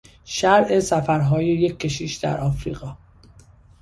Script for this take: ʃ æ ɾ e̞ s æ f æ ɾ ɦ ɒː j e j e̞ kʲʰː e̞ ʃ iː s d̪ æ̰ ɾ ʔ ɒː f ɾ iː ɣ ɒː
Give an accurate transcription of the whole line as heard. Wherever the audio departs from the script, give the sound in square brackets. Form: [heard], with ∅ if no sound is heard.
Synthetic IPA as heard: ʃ æ ɾ e̞ s æ f æ ɾ ɦ ɒː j e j e̞ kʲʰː e̞ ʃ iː [ʃ] d̪ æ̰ ɾ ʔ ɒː f ɾ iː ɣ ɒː